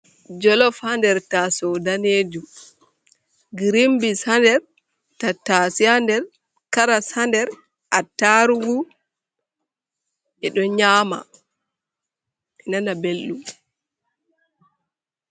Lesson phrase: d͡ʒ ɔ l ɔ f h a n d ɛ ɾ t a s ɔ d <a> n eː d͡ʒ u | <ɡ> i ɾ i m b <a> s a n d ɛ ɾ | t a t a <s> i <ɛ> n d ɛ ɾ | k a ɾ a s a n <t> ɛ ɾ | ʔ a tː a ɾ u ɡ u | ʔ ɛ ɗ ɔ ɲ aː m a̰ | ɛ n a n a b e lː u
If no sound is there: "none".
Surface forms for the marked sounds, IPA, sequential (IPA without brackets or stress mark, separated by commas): a, ɡ, i, s, a, d